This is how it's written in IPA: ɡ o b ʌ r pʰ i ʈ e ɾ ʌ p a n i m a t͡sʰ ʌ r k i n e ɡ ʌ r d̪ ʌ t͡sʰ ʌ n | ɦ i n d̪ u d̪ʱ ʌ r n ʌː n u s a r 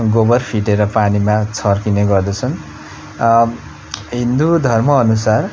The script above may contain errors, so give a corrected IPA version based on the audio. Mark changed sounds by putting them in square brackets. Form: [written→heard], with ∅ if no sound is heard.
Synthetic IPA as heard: ɡ o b ʌ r pʰ i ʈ e ɾ ʌ p a n i m a t͡sʰ ʌ r k i n e ɡ ʌ r d̪ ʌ t͡sʰ ʌ n | ɦ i n d̪ u d̪ʱ ʌ r [n→m] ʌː n u s a r